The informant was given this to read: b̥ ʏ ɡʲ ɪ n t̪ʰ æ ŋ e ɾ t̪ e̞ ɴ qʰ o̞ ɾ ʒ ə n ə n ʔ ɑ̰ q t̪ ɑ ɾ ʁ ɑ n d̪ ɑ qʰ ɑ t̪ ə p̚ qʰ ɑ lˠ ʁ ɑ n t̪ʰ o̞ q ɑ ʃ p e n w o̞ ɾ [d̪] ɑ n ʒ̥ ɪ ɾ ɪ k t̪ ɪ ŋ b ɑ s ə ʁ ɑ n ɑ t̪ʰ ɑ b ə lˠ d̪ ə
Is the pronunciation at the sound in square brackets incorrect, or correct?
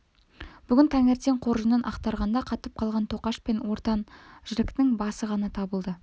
incorrect